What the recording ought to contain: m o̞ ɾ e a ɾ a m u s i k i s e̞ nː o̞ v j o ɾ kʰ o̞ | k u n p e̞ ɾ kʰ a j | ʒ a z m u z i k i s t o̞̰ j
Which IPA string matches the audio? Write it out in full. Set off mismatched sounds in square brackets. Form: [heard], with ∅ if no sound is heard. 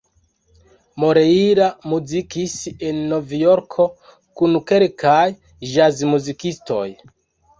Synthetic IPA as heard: m o̞ ɾ e [i] ɾ a m u [z] i k i s e̞ nː o̞ v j o ɾ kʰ o̞ | k u n [k] e̞ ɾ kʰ a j | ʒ a z m u z i k i s t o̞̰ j